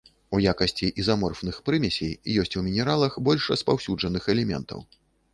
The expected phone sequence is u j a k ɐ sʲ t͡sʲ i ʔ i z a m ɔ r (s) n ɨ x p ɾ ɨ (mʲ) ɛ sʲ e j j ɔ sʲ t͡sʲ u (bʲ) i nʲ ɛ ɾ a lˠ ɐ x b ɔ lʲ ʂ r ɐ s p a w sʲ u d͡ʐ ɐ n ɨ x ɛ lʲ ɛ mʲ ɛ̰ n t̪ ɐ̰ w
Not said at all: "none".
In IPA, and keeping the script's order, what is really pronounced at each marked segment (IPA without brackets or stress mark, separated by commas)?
f, mʲ, mʲ